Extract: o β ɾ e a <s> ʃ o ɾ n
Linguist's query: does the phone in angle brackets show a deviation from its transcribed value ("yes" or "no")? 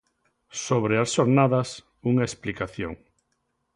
no